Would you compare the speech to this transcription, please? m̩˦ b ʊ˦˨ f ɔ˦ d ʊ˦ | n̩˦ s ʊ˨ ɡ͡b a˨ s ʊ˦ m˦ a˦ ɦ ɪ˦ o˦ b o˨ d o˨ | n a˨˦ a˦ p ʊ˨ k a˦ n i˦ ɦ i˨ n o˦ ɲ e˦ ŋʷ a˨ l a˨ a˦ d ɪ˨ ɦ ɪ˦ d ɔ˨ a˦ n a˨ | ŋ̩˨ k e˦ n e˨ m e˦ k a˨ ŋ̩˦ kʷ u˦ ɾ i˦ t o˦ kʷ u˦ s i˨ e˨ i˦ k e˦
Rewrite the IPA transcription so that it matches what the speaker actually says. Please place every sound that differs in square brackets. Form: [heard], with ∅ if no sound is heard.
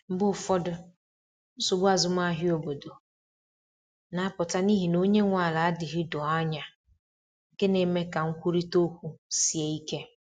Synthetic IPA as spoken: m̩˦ b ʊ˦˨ f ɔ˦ d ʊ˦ | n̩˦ s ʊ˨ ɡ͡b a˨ [z] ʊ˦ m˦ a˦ ɦ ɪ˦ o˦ b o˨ d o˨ | n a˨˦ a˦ p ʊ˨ [t] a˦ n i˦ ɦ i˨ n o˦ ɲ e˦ ŋʷ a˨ l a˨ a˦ d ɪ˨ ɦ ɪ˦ d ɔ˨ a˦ [ɲ] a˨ | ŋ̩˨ k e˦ n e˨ m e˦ k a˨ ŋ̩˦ kʷ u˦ ɾ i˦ t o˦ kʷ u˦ s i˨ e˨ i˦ k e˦